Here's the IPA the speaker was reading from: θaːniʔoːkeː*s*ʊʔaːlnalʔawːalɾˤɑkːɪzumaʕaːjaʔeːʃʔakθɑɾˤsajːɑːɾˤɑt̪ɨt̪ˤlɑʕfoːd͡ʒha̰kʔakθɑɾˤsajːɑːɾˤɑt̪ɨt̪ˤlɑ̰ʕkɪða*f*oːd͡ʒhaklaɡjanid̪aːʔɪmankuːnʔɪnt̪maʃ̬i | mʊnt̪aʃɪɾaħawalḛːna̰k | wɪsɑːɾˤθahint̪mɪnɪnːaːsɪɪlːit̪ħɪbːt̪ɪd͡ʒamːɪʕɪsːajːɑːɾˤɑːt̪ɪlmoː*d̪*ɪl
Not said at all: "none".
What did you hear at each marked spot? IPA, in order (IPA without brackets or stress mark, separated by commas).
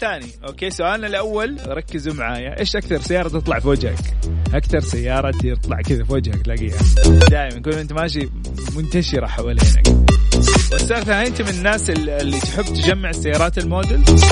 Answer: s, f, d̪